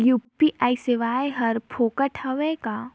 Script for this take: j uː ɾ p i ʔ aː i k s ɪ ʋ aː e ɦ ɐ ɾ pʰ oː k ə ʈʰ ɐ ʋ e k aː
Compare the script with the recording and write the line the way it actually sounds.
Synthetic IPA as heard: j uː p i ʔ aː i s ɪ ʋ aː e ɦ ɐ ɾ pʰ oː k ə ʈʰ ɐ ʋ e k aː